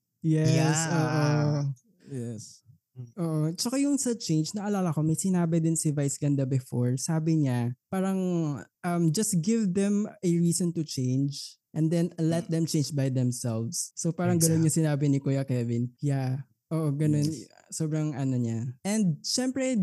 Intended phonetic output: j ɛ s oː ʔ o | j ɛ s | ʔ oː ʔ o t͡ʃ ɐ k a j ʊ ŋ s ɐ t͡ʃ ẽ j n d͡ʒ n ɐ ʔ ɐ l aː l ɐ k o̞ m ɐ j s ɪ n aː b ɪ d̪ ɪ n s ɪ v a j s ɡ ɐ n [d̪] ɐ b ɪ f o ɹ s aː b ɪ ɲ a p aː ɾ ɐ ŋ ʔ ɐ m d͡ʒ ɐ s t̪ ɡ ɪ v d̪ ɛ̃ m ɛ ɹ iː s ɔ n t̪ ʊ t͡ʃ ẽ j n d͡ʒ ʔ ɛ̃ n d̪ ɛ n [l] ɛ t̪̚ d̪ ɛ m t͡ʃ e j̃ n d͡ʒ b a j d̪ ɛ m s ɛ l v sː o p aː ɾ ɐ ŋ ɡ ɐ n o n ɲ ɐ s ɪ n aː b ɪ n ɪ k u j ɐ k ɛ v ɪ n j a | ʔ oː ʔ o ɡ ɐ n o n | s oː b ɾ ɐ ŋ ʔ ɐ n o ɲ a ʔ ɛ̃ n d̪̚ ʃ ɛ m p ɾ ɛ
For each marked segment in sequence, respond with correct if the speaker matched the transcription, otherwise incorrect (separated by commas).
correct, correct